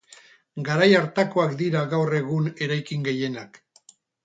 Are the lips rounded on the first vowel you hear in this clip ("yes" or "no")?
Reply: no